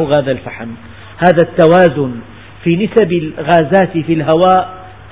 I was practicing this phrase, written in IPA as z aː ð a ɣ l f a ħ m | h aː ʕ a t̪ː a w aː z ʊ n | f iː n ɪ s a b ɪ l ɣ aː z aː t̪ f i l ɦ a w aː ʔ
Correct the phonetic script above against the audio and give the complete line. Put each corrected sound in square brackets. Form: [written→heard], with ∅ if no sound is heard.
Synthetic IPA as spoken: [z→ɣ] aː ð a [ɣ→∅] l f a ħ m | h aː [ʕ→ð] a t̪ː a w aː z ʊ n | f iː n ɪ s a b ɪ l ɣ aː z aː t̪ f i l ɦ a w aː ʔ